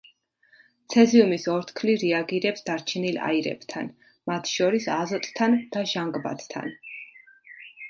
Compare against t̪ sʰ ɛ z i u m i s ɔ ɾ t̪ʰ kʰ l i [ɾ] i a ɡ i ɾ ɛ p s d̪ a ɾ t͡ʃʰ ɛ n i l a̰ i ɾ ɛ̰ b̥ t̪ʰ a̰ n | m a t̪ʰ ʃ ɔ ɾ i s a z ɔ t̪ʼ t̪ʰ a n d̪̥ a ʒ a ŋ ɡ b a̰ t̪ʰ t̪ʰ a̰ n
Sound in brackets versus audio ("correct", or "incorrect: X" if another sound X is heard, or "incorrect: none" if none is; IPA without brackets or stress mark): correct